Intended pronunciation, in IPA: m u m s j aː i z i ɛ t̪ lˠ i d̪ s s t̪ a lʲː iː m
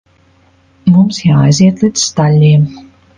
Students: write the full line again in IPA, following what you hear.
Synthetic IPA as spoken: m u m s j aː j z i ɛ t̪ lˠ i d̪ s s t̪ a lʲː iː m